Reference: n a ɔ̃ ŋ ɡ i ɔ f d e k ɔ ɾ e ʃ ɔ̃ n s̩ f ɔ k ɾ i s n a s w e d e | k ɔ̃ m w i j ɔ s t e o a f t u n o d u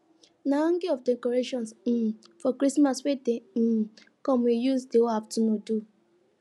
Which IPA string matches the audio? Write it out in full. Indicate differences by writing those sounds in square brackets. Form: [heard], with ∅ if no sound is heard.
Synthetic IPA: n a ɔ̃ ŋ ɡ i ɔ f d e k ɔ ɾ e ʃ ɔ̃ n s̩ f ɔ k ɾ i s [m] a s w e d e | k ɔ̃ m w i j [u] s [d] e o a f t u n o d u